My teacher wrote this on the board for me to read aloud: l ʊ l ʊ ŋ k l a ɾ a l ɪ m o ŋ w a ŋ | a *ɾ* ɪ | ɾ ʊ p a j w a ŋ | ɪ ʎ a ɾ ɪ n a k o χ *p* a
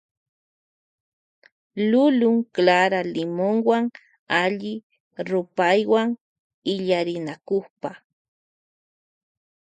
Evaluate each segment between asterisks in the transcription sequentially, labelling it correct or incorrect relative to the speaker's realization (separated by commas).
incorrect, correct